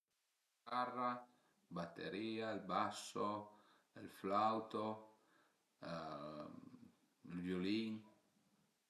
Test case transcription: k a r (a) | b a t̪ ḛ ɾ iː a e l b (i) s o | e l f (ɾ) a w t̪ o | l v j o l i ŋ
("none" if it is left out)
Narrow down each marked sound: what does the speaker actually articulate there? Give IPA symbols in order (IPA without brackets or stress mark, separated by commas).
a, a, l